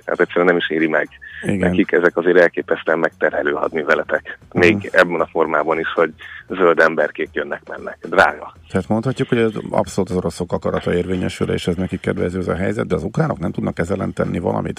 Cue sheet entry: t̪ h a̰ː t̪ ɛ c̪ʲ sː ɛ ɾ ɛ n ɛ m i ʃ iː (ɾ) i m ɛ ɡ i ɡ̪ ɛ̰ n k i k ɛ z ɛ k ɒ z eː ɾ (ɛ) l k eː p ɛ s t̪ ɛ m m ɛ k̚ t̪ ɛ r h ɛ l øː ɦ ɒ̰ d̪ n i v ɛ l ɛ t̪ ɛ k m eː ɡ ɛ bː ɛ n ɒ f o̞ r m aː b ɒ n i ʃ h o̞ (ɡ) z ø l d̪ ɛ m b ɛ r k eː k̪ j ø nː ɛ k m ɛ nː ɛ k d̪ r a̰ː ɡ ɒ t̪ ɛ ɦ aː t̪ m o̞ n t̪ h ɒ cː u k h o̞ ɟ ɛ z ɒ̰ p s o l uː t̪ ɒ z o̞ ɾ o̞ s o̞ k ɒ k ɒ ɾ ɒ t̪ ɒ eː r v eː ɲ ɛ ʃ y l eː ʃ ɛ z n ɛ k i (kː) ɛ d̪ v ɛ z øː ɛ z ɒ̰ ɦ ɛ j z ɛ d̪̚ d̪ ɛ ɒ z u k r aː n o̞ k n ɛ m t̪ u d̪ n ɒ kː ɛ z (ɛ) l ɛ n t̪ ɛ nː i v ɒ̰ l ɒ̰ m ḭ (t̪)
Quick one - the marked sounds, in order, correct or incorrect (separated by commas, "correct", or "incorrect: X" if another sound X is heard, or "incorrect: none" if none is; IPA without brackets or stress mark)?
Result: correct, correct, incorrect: ɟ, correct, correct, correct